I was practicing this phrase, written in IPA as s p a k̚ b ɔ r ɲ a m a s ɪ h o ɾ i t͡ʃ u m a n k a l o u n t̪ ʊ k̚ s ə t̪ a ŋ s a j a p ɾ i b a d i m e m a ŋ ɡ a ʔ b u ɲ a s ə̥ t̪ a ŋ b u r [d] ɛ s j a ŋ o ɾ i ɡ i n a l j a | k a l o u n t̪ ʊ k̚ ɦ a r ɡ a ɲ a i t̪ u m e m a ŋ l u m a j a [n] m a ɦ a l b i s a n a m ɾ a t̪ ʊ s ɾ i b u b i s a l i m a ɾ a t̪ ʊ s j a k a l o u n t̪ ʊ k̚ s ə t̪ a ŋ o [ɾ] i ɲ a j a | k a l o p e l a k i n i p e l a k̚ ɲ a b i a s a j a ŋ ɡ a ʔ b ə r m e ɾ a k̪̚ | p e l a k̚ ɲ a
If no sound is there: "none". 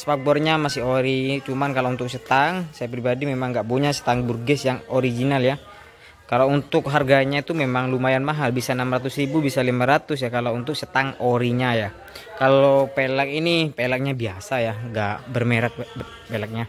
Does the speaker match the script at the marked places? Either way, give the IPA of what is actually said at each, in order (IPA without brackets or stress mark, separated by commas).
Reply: ɡ, n, ɾ